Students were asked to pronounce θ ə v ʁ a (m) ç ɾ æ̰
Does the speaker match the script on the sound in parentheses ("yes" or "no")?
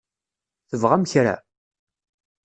yes